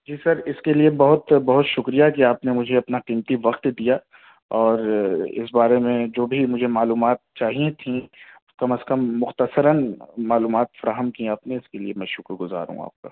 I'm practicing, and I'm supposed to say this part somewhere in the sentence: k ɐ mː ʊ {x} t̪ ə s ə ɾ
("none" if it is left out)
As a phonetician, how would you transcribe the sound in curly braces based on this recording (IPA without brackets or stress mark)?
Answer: x